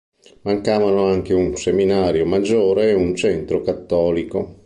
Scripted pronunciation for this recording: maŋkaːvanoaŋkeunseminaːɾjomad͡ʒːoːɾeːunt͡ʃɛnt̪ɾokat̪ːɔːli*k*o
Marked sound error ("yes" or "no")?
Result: no